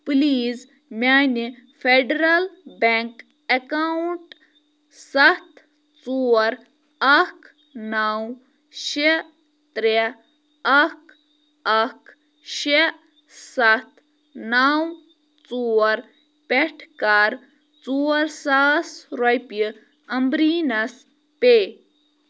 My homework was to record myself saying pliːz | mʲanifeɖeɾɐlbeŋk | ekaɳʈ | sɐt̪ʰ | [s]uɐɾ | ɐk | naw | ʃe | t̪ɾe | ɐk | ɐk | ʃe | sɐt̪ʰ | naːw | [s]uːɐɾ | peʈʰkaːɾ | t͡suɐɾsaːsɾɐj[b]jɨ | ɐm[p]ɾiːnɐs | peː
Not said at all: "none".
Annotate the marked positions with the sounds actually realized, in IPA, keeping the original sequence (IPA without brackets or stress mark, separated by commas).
t͡s, t͡s, p, b